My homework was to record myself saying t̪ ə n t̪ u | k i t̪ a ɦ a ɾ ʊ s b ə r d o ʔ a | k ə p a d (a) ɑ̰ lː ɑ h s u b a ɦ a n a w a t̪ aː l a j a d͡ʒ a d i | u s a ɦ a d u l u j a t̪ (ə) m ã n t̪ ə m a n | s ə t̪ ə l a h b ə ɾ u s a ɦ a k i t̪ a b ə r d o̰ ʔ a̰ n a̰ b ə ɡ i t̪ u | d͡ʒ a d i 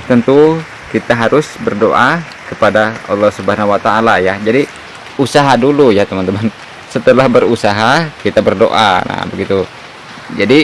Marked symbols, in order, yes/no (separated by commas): yes, yes